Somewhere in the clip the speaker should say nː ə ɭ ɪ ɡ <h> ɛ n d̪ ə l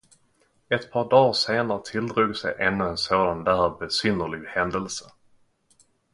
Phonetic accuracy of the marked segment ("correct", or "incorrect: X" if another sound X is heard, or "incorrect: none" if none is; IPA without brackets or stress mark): correct